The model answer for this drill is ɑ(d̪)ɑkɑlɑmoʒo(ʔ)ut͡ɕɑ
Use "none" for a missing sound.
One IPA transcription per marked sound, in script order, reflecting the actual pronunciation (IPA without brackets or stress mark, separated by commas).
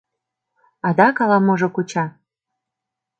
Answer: d̪, k